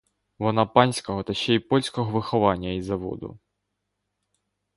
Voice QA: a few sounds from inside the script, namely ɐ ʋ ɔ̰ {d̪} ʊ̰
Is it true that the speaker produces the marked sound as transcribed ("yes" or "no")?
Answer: yes